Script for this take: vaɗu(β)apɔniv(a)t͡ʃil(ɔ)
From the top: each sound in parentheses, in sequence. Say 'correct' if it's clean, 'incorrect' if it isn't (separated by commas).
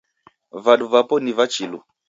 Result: incorrect, correct, incorrect